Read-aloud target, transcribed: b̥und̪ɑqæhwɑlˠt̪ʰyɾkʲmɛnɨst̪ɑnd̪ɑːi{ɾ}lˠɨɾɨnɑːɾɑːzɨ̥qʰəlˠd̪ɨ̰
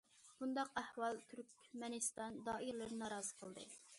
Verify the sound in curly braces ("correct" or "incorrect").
correct